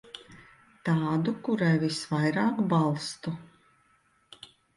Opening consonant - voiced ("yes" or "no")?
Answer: no